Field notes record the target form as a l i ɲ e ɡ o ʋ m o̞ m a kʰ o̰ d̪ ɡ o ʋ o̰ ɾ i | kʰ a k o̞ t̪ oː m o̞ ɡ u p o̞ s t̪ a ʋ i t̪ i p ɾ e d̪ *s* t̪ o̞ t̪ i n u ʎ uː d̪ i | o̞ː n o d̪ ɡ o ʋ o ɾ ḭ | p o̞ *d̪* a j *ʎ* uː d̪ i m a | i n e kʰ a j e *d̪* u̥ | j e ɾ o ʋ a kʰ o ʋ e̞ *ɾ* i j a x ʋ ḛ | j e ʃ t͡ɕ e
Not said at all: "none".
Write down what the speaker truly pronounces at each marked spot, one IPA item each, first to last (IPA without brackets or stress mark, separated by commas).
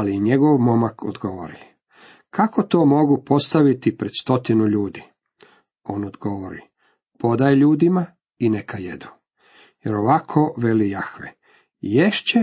s, d̪, ʎ, d̪, l